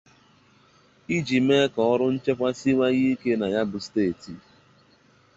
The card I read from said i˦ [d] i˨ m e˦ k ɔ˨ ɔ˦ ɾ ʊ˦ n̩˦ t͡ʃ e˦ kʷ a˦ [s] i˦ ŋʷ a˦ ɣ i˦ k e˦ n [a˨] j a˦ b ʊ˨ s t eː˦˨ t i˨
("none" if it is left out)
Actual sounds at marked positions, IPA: d͡ʒ, s, a˨

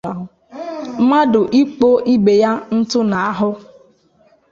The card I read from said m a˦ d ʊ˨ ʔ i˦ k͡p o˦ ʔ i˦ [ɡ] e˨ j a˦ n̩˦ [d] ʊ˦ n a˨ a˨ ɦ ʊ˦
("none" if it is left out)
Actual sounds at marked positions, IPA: b, t

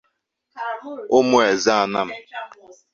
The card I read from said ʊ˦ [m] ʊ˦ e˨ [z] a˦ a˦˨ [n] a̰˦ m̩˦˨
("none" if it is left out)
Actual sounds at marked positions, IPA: m, z, n

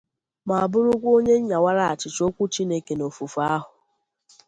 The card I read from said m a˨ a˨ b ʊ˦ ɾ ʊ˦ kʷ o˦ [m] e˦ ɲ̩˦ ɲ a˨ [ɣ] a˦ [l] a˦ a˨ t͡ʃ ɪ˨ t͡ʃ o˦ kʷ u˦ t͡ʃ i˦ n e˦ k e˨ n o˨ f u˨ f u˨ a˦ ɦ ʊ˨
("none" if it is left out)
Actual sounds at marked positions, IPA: ɲ, w, ɾ

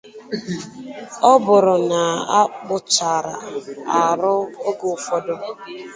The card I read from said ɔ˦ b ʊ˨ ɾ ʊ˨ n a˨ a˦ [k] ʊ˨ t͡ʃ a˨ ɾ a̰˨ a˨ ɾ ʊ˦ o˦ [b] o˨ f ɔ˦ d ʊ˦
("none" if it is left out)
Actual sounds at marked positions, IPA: k͡p, ɡ

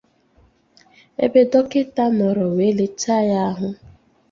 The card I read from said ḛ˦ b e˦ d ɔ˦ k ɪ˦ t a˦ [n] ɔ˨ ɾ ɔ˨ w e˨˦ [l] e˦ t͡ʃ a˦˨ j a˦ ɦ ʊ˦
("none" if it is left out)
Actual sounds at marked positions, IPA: m, l

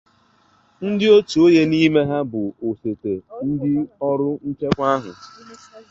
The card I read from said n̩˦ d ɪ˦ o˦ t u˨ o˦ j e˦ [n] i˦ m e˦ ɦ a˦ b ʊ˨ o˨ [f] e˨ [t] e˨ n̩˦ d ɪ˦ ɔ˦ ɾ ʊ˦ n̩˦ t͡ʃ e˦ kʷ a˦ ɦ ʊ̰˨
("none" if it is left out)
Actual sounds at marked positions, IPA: n, s, t

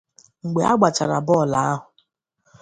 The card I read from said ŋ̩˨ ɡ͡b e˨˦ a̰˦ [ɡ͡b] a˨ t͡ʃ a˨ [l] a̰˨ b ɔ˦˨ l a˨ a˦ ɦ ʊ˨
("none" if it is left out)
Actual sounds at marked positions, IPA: ɡ͡b, ɾ

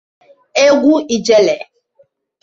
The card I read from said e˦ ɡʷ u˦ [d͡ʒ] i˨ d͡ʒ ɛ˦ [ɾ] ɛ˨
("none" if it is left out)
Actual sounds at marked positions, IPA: none, l

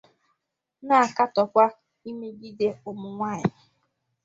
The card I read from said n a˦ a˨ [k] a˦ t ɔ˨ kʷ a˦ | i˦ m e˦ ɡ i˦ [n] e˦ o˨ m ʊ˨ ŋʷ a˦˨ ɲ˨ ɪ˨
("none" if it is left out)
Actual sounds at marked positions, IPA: k, d

